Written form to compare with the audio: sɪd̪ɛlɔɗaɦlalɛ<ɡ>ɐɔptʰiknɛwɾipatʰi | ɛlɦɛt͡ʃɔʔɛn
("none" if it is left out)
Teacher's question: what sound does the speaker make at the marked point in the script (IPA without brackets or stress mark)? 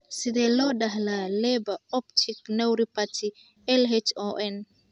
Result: b